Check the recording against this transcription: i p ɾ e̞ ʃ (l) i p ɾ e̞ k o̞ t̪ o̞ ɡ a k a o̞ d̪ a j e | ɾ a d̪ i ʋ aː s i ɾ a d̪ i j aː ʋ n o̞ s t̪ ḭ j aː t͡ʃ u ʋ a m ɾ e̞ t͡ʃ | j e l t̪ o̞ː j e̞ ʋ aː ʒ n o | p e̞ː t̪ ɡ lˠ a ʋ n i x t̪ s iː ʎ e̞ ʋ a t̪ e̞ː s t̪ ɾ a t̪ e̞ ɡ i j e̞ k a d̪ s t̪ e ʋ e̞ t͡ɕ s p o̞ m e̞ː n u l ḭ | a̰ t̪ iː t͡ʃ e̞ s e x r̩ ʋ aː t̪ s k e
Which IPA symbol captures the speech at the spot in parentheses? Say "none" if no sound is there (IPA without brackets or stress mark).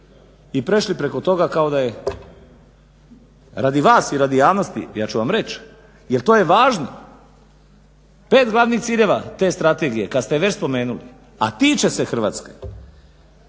l